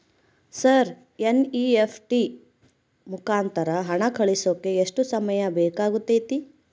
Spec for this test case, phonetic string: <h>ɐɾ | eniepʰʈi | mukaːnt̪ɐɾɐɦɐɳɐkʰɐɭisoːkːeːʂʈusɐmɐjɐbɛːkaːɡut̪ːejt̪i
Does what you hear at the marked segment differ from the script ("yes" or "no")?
yes